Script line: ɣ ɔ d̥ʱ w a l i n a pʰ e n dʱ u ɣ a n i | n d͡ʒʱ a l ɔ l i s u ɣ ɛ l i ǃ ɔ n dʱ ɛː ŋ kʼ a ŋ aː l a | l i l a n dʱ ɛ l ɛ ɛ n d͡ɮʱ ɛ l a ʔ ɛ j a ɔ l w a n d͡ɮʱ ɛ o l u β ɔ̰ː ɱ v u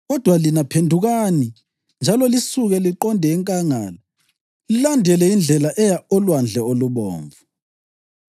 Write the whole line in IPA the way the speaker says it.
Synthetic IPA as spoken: ɣ ɔ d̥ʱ w a l i n a pʰ e n dʱ u ɣ a n i | n d͡ʒʱ a l ɔ l i s u ɣ ɛ l i ǃ ɔ n dʱ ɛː ŋ kʼ a ŋ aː l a | l i l a n dʱ ɛ l ɛ i n d͡ɮʱ ɛ l a ʔ ɛ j a ɔ l w a n d͡ɮʱ ɛ o l u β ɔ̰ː ɱ v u